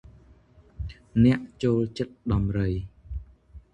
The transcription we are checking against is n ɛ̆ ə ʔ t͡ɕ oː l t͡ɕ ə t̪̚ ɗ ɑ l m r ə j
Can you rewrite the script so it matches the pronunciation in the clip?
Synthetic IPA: n ɛ̆ ə ʔ t͡ɕ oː l t͡ɕ ə t̪̚ ɗ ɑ m r ə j